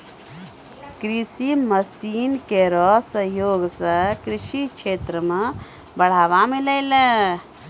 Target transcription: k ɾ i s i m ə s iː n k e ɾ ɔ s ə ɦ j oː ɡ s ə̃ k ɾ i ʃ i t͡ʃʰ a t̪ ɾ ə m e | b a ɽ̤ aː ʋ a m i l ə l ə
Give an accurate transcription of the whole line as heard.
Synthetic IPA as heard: k ɾ i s i m ə s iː n k e ɾ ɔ s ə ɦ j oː ɡ s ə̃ k ɾ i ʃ i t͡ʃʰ e t̪ ɾ ə m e | b ə ɽ̤ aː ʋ a m i l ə l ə